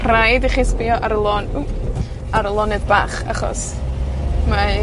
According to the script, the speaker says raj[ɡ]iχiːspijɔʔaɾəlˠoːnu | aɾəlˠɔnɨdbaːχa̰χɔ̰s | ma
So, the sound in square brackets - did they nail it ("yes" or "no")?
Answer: no